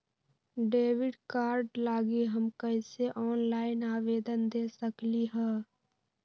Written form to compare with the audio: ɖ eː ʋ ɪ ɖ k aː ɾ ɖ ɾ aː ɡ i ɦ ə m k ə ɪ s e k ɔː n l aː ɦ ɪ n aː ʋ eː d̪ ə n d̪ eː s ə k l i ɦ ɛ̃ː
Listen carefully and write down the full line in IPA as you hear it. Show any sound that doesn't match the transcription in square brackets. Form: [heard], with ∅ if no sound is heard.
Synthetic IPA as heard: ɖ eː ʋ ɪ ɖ k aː ɾ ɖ [l] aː ɡ i ɦ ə m k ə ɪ s e [ʔ] ɔː n l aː [∅] ɪ n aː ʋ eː d̪ ə n d̪ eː s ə k l i ɦ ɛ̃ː